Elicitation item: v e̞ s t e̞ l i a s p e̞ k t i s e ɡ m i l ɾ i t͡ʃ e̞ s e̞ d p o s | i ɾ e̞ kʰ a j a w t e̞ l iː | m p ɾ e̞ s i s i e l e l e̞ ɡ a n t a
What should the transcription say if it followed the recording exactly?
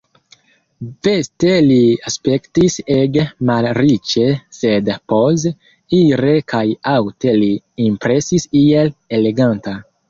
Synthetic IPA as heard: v e̞ s t e̞ l i a s p e̞ k t i s e ɡ m a l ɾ i t͡ʃ e̞ s e̞ d p o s | i ɾ e̞ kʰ a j a w t e̞ l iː | m p ɾ e̞ s i s i e l e l e̞ ɡ a n t a